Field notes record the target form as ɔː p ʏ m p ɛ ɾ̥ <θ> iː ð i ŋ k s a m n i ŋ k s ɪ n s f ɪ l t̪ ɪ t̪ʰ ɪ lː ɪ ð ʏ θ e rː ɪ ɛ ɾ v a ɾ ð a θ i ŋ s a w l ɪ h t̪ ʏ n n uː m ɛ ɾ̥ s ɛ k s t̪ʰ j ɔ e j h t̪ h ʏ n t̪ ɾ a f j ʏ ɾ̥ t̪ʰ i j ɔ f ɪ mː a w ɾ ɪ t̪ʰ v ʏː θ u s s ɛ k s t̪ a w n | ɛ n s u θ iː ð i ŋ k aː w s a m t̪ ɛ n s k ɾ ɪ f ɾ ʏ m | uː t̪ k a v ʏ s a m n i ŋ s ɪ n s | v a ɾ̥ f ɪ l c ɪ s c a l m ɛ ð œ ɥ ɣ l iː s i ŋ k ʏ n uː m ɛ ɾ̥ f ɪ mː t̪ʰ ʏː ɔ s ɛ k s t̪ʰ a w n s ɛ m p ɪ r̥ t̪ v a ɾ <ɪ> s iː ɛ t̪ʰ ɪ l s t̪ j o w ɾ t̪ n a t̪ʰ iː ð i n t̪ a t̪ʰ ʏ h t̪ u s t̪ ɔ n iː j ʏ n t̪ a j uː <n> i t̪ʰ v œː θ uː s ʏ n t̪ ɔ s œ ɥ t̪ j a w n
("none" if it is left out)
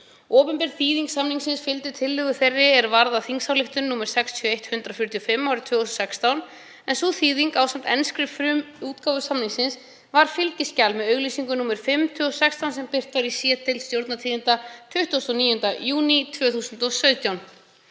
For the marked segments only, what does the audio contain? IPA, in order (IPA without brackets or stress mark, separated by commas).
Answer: θ, i, n